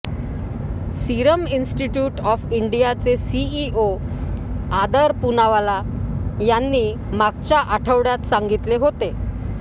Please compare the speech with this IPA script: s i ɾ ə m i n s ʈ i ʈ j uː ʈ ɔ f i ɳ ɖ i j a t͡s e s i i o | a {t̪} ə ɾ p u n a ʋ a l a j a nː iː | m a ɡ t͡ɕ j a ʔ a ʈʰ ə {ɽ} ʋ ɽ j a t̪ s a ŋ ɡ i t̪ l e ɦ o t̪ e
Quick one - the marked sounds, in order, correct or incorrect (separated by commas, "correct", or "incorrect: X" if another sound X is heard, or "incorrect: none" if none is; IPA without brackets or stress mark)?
incorrect: d̪, incorrect: none